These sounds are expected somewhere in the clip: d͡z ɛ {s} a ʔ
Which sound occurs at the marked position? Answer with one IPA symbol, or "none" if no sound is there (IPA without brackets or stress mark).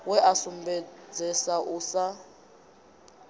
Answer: s